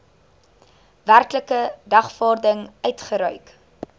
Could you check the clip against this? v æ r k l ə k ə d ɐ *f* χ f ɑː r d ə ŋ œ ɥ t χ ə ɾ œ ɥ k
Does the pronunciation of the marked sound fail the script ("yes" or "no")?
yes